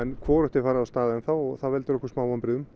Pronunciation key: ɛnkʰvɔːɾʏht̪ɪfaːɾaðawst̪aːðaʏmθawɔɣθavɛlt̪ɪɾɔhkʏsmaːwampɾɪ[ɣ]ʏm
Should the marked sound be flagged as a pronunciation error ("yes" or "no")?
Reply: yes